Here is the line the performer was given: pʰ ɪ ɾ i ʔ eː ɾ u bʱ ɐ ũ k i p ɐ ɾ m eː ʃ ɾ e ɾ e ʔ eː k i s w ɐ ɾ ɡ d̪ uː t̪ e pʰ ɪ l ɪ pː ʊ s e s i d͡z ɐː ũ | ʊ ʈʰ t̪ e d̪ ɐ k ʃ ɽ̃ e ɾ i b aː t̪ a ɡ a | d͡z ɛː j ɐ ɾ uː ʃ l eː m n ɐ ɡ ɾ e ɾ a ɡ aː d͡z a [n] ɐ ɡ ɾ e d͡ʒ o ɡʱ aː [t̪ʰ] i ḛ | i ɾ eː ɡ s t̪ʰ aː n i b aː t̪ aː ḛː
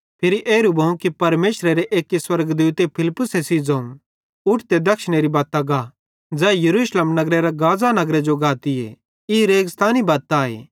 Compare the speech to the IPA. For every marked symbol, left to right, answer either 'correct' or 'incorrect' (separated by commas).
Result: correct, incorrect